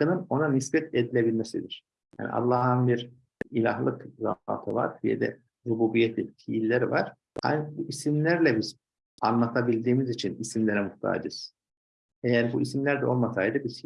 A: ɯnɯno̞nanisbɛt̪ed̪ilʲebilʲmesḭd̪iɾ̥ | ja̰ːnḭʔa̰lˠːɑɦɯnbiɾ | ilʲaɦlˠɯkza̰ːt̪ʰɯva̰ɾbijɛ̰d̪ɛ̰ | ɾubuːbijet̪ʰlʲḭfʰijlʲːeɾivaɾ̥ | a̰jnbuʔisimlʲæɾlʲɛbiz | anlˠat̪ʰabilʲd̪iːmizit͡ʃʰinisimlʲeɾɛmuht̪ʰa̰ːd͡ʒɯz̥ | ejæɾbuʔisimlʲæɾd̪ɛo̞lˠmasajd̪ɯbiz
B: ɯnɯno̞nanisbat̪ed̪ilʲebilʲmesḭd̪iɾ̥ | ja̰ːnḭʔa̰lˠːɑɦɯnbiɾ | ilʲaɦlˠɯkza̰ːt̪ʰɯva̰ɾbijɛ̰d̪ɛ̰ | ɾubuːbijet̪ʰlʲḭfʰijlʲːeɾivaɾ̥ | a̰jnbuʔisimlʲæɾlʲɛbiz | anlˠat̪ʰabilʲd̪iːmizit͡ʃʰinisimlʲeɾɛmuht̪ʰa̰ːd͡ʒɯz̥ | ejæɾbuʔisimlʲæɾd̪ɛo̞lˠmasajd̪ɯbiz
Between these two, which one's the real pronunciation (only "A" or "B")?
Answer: A